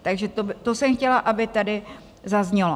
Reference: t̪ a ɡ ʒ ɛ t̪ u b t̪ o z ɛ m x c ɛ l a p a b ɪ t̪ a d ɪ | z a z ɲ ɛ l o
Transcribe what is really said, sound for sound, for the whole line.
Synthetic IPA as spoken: t̪ a ɡ ʒ ɛ t̪ o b t̪ o s ɛ m x c ɛ l a ʔ a b ɪ t̪ a d ɪ | z a z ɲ ɛ l o